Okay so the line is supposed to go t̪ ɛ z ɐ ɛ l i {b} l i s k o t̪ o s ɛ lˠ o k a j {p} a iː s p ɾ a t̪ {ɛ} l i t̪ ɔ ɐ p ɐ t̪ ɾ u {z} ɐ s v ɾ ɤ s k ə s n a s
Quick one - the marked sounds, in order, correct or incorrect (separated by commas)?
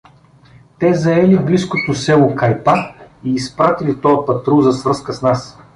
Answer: correct, correct, incorrect, correct